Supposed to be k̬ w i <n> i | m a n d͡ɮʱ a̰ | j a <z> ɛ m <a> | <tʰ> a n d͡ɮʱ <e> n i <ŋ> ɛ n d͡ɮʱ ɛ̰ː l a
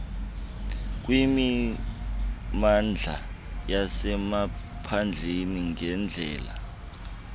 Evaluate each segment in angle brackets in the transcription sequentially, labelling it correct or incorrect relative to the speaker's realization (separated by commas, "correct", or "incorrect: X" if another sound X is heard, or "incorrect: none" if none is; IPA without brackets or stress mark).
incorrect: m, incorrect: s, correct, incorrect: pʰ, correct, correct